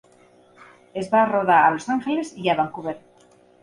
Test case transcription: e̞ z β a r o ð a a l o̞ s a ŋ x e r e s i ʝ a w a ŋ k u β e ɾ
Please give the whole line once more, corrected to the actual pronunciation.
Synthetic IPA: e̞ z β a r o ð a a l o̞ s a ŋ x e l e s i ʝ a β a ŋ k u β e ɾ